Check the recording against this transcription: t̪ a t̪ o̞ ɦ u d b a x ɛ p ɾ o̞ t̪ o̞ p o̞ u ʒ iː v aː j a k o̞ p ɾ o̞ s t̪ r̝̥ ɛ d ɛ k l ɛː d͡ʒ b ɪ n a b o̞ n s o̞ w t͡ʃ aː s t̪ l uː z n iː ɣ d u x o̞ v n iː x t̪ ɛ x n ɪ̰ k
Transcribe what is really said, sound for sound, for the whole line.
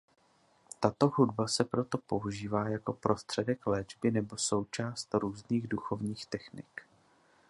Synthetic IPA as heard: t̪ a t̪ o̞ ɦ u d b a s ɛ p ɾ o̞ t̪ o̞ p o̞ u ʒ iː v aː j a k o̞ p ɾ o̞ s t̪ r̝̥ ɛ d ɛ k l ɛː d͡ʒ b ɪ n ɛ b o̞ s o̞ w t͡ʃ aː s t̪ ɾ uː z n iː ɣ d u x o̞ v ɲ iː x t̪ ɛ x n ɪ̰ k

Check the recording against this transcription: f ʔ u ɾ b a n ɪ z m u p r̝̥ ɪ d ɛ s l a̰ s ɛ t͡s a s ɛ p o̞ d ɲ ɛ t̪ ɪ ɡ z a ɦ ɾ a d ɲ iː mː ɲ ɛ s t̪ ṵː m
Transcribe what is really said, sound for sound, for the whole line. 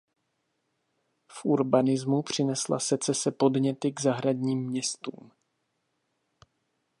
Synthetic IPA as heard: f ʔ u ɾ b a n ɪ z m u p r̝̥ ɪ n ɛ s l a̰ s ɛ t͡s ɛ s ɛ p o̞ d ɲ ɛ t̪ ɪ ɡ z a ɦ ɾ a d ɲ iː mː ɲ ɛ s t̪ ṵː m

